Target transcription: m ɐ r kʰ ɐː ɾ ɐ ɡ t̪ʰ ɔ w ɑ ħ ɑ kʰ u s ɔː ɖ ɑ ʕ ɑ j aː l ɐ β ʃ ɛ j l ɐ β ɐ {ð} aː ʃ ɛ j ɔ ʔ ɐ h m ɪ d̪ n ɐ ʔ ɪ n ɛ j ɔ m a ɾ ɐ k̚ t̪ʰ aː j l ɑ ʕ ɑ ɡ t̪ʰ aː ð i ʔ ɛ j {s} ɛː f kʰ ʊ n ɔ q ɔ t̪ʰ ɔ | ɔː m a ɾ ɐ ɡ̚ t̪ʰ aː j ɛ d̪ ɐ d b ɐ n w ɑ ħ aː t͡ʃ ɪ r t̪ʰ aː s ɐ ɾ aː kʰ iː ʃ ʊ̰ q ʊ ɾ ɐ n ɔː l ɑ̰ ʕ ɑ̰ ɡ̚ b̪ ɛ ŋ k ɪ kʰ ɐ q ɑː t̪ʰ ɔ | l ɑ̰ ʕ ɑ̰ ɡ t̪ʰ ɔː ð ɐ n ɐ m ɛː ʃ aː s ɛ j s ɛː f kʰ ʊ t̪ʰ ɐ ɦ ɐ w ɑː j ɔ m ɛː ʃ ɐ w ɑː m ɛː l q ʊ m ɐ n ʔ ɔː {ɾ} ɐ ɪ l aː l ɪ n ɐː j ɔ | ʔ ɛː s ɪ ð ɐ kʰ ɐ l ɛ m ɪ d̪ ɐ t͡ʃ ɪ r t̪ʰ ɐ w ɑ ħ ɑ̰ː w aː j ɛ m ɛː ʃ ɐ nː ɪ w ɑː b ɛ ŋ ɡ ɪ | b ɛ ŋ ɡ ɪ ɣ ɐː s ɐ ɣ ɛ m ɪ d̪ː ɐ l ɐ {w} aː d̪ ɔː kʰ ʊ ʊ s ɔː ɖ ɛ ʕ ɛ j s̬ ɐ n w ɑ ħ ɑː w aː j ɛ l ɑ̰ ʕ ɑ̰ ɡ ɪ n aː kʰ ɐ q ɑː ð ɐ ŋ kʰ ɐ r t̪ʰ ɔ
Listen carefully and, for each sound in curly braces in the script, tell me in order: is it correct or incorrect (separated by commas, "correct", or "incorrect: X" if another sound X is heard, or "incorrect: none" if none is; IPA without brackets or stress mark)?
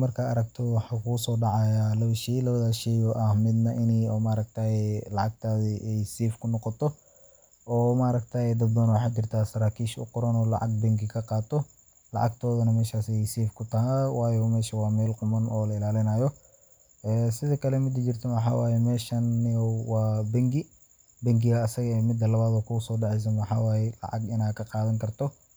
correct, correct, incorrect: l, incorrect: β